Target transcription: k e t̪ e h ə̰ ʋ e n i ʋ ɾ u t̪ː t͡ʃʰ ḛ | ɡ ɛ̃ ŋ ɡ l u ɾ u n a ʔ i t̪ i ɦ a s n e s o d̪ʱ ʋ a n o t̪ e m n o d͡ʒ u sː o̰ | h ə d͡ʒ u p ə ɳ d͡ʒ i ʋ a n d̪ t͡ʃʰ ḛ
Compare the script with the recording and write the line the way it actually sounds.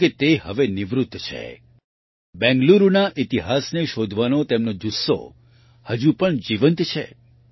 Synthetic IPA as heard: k e t̪ e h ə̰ ʋ e n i ʋ ɾ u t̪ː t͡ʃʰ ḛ | b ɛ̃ ŋ ɡ l u ɾ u n a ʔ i t̪ i ɦ a s n e ʃ o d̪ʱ ʋ a n o t̪ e m n o d͡ʒ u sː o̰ | h ə d͡ʒ u p ə ɳ d͡ʒ i ʋ ə n t̪ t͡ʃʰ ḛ